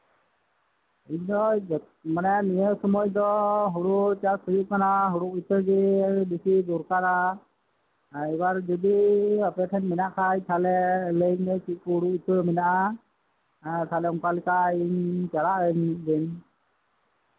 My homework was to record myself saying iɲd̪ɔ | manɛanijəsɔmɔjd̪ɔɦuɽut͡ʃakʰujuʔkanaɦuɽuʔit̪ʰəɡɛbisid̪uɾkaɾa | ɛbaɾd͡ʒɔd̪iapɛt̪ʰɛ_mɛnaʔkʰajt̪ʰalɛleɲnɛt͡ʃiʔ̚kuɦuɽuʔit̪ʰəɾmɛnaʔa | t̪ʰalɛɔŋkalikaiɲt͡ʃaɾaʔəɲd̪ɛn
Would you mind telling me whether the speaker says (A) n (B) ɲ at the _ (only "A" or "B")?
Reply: A